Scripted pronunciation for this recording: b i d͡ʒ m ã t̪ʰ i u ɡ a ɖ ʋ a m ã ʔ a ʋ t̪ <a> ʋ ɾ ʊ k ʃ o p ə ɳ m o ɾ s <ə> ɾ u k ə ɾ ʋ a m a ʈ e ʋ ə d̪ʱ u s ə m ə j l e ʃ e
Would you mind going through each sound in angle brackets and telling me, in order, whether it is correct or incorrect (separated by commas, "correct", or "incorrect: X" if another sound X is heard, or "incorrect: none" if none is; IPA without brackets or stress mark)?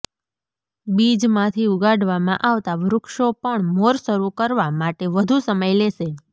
correct, correct